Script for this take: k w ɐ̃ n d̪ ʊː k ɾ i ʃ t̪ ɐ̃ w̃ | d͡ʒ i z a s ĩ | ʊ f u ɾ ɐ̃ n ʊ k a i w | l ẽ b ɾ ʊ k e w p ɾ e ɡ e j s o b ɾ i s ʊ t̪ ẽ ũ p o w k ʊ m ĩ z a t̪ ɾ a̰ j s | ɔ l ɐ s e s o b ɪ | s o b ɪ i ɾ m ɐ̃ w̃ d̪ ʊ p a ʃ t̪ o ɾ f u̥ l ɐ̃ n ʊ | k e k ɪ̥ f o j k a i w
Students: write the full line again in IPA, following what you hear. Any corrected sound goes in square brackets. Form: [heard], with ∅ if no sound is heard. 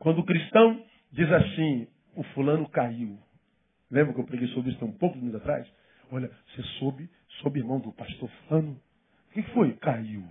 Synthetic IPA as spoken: k w ɐ̃ n d̪ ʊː k ɾ i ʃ t̪ ɐ̃ w̃ | d͡ʒ i z a s ĩ | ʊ f u [l] ɐ̃ n ʊ k a i w | l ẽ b ɾ ʊ k e w p ɾ e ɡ e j s o b ɾ i s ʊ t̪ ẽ ũ p o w k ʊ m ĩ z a t̪ ɾ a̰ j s | ɔ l ɐ s e s o b ɪ | s o b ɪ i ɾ m ɐ̃ w̃ d̪ ʊ p a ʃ t̪ o ɾ f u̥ l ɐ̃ n ʊ | k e k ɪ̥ f o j k a i w